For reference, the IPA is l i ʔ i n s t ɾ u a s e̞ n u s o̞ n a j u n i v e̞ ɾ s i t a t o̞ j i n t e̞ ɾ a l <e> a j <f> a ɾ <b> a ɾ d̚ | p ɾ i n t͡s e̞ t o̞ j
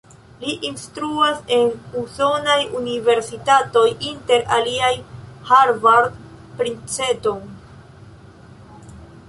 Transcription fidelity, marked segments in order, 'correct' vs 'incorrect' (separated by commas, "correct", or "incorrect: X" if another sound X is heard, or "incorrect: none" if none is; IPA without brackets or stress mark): incorrect: i, incorrect: h, incorrect: v